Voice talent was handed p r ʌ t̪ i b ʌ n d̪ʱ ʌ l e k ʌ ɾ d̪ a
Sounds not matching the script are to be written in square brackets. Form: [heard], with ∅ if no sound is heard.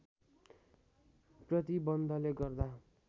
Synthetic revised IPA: p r ʌ t̪ i b ʌ n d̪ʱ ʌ l e [ɡ] ʌ [r] d̪ a